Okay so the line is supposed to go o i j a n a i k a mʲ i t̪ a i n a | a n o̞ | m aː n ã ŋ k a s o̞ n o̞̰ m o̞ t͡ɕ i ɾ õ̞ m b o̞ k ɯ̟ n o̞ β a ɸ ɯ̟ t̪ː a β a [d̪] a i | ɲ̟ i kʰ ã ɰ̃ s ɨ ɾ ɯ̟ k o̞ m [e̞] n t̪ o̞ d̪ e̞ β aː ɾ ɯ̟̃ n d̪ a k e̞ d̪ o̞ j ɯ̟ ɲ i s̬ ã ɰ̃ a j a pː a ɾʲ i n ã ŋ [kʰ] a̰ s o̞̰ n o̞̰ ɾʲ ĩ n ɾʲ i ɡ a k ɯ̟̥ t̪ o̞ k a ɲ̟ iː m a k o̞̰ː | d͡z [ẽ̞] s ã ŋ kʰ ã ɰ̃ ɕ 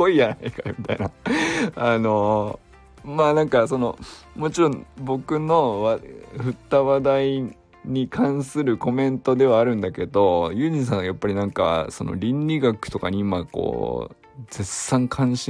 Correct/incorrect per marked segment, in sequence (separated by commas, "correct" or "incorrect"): correct, incorrect, incorrect, incorrect